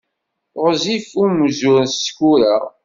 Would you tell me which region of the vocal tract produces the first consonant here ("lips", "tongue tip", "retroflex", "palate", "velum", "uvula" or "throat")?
uvula